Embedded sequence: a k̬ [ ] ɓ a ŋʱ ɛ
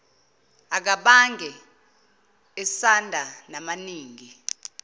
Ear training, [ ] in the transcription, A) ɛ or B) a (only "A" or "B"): B